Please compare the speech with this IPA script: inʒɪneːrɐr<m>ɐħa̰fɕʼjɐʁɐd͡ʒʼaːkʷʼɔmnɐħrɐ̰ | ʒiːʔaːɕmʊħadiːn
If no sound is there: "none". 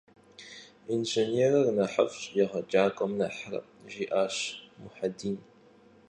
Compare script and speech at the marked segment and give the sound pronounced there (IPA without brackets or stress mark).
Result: n